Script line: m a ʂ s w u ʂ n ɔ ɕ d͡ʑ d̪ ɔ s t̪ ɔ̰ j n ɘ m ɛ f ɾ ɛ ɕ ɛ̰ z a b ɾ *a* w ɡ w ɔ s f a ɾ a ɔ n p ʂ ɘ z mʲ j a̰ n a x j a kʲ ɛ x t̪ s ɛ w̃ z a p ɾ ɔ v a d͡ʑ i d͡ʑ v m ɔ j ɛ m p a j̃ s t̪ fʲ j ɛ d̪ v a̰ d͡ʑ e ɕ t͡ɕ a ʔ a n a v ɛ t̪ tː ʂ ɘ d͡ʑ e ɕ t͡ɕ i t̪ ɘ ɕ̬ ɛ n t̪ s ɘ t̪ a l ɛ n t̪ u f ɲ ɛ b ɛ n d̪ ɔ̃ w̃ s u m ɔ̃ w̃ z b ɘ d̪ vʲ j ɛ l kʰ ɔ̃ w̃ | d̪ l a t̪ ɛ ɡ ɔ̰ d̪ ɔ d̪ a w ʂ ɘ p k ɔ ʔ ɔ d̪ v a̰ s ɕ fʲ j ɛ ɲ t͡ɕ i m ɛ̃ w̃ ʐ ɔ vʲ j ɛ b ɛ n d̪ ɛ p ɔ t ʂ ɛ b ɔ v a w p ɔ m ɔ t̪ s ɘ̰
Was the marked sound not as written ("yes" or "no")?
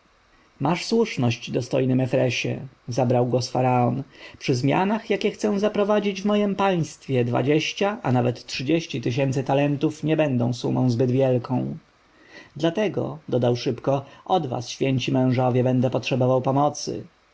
no